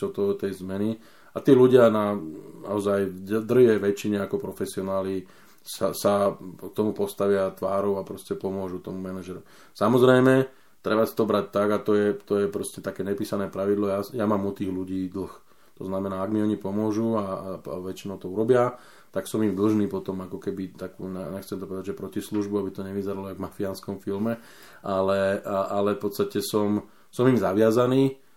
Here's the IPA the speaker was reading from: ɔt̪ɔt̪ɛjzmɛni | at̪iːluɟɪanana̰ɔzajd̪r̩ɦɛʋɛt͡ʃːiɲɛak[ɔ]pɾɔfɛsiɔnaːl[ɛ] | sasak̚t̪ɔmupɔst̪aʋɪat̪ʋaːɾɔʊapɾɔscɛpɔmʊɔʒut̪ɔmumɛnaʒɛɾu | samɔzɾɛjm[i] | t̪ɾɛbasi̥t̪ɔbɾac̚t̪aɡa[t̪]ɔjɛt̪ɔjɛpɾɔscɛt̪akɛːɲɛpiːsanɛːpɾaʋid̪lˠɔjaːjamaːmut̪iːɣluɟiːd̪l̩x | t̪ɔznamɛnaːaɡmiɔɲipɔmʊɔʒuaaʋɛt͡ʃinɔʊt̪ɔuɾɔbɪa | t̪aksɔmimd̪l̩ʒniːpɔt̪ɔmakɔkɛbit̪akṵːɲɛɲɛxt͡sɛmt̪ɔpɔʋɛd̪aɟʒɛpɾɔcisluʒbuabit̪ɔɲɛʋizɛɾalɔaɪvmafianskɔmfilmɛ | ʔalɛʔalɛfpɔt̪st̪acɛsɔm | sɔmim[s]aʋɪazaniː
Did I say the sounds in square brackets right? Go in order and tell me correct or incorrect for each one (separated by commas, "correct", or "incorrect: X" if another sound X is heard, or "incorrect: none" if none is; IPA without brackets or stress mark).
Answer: correct, incorrect: i, incorrect: ɛ, correct, incorrect: z